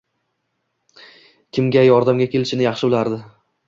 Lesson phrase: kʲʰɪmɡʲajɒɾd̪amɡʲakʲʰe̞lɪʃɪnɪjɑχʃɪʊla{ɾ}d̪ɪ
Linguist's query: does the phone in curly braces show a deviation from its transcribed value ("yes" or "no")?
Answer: no